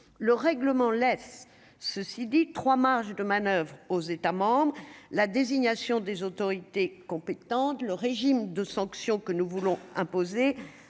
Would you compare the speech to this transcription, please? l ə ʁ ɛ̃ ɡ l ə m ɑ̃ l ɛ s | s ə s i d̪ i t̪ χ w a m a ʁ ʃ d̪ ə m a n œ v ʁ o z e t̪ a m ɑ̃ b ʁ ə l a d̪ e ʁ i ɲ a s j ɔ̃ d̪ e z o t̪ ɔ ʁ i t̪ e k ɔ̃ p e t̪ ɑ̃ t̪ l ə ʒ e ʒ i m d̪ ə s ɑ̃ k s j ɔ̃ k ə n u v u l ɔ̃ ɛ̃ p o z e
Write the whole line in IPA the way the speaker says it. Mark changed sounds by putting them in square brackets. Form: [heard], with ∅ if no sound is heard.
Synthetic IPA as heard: l ə ʁ [ɛ] ɡ l ə m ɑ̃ l ɛ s | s ə s i d̪ i t̪ χ w a m a ʁ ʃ d̪ ə m a n œ v ʁ o z e t̪ a m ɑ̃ b ʁ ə l a d̪ e [z] i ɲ a s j ɔ̃ d̪ e z o t̪ ɔ ʁ i t̪ e k ɔ̃ p e t̪ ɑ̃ t̪ l ə [ʁ] e ʒ i m d̪ ə s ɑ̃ k s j ɔ̃ k ə n u v u l ɔ̃ ɛ̃ p o z e